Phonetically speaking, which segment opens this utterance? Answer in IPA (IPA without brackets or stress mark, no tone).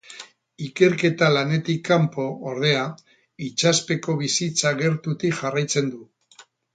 i